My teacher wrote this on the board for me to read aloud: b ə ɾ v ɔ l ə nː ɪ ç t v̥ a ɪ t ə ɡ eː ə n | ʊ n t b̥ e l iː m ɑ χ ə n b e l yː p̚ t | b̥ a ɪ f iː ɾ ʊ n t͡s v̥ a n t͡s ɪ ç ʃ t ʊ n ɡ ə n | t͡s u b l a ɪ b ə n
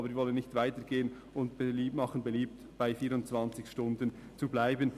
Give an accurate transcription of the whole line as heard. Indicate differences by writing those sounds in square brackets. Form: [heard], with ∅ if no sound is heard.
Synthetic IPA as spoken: b ə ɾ v ɔ l ə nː ɪ ç t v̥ a ɪ t ə ɡ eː ə n | ʊ n t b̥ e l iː m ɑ χ ə n b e l [iː] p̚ t | b̥ a ɪ f iː ɾ ʊ n t͡s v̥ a n t͡s ɪ ç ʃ t ʊ n [d] ə n | t͡s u b l a ɪ b ə n